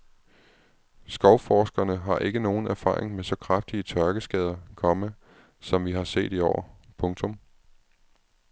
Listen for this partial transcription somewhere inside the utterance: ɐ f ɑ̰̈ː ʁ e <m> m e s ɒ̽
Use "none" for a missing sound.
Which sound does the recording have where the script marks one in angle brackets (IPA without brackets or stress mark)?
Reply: ŋ